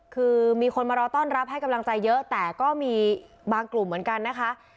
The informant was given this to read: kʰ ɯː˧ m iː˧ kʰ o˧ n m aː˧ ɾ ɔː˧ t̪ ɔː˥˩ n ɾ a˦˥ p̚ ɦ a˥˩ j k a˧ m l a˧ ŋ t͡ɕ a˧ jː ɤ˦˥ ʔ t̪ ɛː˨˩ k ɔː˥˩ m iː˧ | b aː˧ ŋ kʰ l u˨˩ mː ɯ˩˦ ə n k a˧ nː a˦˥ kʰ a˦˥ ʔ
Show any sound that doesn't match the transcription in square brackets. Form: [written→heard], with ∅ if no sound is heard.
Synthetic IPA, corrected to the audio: kʰ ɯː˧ m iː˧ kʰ o˧ n m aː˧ ɾ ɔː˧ t̪ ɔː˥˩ n ɾ a˦˥ p̚ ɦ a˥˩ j k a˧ m l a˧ ŋ t͡ɕ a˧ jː ɤ˦˥ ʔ t̪ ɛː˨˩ k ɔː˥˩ m iː˧ | b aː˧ ŋ [kʰ→k] l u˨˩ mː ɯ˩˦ ə n k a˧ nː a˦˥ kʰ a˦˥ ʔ